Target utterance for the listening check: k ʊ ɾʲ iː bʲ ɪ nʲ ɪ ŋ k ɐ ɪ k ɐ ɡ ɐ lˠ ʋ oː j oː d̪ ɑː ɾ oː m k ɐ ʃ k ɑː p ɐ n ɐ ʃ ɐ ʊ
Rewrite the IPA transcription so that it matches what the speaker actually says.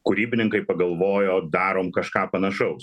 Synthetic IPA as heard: k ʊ ɾʲ iː bʲ ɪ nʲ ɪ ŋ k ɐ ɪ p ɐ ɡ ɐ lˠ ʋ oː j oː d̪ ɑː ɾ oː m k ɐ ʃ k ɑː p ɐ n ɐ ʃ ɐ ʊ